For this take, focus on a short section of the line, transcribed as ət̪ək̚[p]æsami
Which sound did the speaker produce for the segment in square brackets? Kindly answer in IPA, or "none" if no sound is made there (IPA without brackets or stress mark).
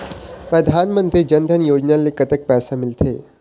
p